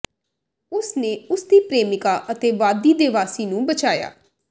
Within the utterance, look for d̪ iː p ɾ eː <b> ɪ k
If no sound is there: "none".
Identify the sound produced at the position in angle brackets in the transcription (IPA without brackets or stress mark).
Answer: m